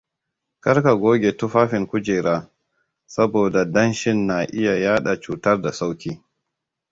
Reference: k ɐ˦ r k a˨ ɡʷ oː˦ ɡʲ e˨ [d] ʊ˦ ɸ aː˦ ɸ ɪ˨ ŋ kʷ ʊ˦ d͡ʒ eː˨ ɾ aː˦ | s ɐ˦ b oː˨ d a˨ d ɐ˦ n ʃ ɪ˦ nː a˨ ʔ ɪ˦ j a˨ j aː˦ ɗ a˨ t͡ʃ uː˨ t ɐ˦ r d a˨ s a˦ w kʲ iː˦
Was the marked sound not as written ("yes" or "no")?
yes